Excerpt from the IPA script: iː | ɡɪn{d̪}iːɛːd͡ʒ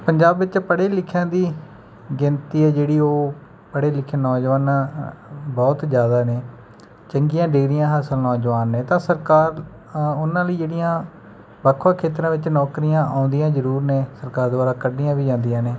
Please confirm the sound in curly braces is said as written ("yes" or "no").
no